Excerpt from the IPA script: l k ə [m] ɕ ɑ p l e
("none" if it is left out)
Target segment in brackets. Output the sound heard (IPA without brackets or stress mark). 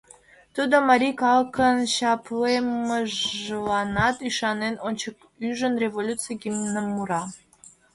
n